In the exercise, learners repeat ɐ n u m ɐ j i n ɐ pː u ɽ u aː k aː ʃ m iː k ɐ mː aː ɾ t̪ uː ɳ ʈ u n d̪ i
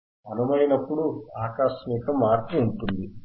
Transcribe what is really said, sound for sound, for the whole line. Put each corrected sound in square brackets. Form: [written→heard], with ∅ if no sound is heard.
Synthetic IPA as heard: ɐ n u m ɐ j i n ɐ pː u ɽ u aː k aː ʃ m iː k ɐ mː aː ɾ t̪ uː ɳ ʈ u n d̪ i

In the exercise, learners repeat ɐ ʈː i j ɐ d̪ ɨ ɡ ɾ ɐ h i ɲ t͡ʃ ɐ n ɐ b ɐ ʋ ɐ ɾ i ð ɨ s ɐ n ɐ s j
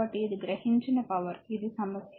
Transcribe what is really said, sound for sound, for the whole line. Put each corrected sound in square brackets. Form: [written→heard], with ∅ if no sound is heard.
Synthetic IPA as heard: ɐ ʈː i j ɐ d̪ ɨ ɡ ɾ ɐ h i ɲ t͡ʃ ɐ n ɐ [b→p] ɐ ʋ ɐ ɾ i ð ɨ s ɐ [n→m] ɐ s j

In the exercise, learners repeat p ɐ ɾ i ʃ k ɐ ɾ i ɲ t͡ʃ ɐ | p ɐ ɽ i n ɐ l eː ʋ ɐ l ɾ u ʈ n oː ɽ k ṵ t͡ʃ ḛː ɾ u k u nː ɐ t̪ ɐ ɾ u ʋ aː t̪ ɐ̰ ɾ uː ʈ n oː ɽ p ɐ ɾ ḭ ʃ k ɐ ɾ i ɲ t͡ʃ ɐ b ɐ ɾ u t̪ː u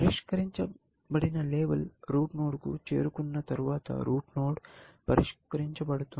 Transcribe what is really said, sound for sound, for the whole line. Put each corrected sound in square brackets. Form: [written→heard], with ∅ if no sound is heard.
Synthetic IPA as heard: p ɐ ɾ i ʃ k ɐ ɾ i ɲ t͡ʃ ɐ | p ɐ ɽ i n ɐ l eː ʋ ɐ l ɾ [u→uː] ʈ n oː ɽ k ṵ t͡ʃ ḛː ɾ u k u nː ɐ t̪ ɐ ɾ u ʋ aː t̪ ɐ̰ ɾ uː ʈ n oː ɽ p ɐ ɾ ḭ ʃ k ɐ ɾ i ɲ t͡ʃ ɐ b ɐ [ɾ→ɽ] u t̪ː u

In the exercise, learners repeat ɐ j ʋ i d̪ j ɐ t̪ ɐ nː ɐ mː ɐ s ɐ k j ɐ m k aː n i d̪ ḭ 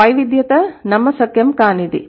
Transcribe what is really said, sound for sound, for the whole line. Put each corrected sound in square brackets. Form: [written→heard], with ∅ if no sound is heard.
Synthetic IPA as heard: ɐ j ʋ i d̪ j ɐ t̪ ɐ [nː→n] ɐ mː ɐ s ɐ k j ɐ m k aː n i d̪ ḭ

